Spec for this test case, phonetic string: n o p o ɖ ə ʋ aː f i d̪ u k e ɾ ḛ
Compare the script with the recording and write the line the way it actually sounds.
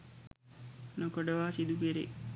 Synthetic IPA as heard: n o k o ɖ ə ʋ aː s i d̪ u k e ɾ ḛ